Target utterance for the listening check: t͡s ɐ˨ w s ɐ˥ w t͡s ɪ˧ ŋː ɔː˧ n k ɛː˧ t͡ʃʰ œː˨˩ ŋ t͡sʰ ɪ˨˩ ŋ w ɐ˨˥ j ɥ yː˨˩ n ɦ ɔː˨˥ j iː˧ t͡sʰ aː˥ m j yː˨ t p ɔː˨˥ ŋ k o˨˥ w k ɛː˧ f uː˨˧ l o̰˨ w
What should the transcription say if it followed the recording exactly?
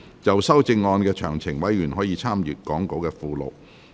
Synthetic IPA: t͡s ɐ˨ w s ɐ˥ w t͡s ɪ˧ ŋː ɔː˧ n k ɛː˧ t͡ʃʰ œː˨˩ ŋ t͡sʰ ɪ˨˩ ŋ w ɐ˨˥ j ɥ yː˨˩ n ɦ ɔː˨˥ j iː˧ t͡sʰ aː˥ m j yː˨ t k ɔː˨˥ ŋ k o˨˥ w k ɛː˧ f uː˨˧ l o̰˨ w